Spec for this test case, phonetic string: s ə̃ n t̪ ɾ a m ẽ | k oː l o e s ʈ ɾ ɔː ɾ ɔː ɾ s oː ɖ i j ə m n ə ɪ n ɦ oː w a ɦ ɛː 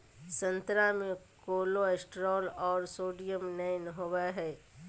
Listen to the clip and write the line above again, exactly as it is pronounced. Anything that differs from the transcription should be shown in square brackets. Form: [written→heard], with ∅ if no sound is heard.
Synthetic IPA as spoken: s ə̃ n t̪ ɾ a m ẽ | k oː l o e s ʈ ɾ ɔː [ɾ→l] ɔː ɾ s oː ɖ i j ə m n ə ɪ n ɦ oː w a ɦ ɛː